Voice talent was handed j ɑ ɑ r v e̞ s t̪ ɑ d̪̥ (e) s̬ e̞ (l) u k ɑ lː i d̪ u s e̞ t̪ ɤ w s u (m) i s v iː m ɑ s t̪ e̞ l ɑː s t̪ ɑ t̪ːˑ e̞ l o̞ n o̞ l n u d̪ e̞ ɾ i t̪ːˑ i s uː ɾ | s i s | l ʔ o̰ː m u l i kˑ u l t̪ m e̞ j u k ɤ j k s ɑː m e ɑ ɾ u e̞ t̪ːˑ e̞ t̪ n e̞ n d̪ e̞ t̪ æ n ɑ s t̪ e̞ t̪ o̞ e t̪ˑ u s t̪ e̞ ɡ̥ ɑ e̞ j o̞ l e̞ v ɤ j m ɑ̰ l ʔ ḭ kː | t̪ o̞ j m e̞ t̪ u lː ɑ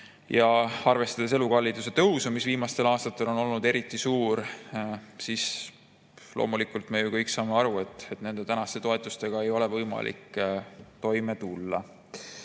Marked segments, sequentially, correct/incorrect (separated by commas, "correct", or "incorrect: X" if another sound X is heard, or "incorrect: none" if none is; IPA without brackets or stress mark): correct, correct, correct